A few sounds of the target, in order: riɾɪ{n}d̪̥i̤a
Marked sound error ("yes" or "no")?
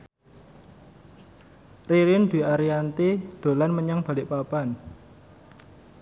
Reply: no